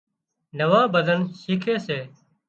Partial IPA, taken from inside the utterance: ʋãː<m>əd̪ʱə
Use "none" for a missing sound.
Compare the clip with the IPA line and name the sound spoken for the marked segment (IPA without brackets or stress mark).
b